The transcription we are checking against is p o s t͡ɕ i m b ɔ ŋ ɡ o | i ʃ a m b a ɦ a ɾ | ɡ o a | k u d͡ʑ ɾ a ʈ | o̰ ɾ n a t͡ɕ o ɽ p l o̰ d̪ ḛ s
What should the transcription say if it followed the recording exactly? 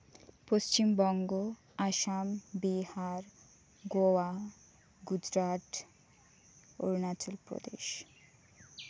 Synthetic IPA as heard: p o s t͡ɕ i m b ɔ ŋ ɡ o | a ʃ a m b i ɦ a ɾ | ɡ o a | ɡ u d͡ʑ ɾ a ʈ | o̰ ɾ n a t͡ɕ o l p ɾ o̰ d̪ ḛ ʃ